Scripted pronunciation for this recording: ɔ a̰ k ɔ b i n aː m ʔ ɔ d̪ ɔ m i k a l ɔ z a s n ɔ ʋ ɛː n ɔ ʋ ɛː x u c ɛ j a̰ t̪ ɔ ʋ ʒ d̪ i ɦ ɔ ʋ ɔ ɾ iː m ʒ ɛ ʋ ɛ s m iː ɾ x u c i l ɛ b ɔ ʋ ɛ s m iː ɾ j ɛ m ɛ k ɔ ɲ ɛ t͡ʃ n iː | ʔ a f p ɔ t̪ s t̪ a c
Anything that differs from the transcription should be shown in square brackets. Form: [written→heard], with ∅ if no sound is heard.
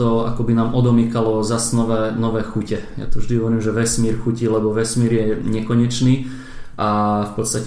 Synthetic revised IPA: ɔ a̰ k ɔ b i n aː m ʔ ɔ d̪ ɔ m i k a l ɔ z a s n ɔ ʋ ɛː n ɔ ʋ ɛː x u c ɛ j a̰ t̪ ɔ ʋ ʒ d̪ i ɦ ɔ ʋ ɔ ɾ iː m ʒ ɛ ʋ ɛ s m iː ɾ x u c i l ɛ b ɔ ʋ ɛ s m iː ɾ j ɛ [m→ɲ] ɛ k ɔ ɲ ɛ t͡ʃ n iː | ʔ a f p ɔ t̪ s t̪ a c